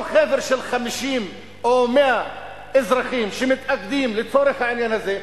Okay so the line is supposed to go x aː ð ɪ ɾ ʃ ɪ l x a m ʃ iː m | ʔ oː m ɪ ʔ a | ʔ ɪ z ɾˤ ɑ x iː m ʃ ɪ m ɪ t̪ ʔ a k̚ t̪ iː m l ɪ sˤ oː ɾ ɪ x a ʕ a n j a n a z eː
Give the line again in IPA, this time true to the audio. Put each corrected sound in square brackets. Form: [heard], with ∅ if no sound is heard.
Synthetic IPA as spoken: x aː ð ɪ ɾ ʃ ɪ l x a m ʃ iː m | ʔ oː m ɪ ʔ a | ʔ ɪ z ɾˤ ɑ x iː m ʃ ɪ m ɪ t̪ ʔ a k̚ [d̪] iː m l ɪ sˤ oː ɾ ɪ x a ʕ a n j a n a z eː

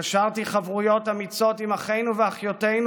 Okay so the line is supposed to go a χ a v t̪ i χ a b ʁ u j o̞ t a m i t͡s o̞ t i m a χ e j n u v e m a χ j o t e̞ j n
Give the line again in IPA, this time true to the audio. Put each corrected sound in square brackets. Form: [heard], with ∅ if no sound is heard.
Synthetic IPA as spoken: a [ʃ] a [ʁ] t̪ i χ a [v] ʁ u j o̞ t a m i t͡s o̞ t i m a χ e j n u v e [∅] a χ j o t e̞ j n

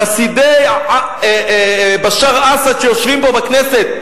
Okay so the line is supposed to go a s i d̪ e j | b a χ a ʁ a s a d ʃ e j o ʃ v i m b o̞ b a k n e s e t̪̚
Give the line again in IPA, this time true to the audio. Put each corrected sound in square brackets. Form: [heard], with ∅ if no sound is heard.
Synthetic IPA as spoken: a s i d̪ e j | b a [ʃ] a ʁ a s a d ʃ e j o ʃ v i m b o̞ b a k n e s e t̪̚

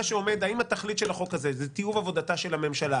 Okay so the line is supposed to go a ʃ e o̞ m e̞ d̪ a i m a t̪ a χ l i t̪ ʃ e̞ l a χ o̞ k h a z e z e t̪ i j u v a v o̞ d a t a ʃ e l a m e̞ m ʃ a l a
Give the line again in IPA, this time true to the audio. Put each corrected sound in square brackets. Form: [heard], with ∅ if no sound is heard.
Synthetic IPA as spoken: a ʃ e o̞ m e̞ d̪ a i m a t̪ a χ l i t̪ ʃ e̞ l a χ o̞ k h a z e z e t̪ i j u v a v o̞ d a t a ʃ e l a m e̞ m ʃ a l a

